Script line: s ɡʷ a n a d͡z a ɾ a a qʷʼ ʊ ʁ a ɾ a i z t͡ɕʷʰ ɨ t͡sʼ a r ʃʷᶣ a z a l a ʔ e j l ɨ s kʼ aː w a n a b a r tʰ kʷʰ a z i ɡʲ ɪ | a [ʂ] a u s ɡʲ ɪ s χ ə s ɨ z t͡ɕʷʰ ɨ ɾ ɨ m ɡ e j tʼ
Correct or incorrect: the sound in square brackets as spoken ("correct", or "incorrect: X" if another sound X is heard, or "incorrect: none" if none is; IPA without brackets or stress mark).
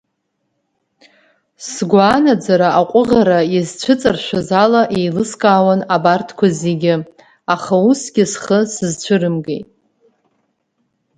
incorrect: χ